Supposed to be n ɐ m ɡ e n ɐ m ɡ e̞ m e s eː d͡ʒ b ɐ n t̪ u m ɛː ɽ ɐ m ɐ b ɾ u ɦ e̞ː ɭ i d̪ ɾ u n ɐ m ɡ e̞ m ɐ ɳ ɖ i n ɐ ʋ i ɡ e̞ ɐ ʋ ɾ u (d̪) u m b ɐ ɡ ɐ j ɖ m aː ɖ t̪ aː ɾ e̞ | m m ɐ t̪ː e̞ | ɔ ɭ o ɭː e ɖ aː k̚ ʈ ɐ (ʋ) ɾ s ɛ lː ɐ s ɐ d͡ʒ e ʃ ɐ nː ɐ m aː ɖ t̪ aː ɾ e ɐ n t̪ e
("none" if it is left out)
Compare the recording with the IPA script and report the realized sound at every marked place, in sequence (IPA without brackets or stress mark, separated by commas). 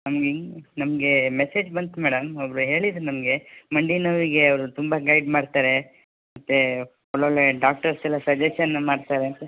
t̪, none